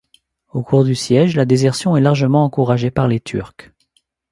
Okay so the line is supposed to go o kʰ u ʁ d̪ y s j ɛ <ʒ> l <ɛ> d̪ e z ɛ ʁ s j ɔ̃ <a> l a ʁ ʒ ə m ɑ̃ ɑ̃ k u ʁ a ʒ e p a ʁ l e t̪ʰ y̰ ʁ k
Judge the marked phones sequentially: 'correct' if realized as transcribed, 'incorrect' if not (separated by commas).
correct, incorrect, incorrect